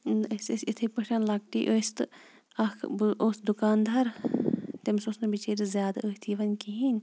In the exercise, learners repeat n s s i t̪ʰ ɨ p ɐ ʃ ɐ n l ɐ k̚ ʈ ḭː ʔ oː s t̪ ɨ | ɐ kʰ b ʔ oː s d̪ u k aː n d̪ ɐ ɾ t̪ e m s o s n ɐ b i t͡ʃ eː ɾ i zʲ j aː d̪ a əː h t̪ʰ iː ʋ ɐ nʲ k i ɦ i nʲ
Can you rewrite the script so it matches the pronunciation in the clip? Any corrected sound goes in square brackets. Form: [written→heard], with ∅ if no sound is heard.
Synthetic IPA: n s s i t̪ʰ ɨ p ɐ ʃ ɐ n l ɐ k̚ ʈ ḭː ʔ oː s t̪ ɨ | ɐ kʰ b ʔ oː s d̪ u k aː n d̪ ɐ ɾ t̪ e m s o s n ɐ b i t͡ʃ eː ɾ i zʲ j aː d̪ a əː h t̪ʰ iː ʋ ɐ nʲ k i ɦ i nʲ